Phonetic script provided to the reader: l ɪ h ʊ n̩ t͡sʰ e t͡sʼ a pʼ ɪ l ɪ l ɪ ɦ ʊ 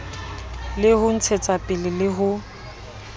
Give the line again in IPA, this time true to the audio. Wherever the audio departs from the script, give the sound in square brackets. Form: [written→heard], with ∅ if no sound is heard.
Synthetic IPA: l ɪ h ʊ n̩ t͡sʰ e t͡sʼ a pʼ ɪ l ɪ l ɪ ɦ ʊ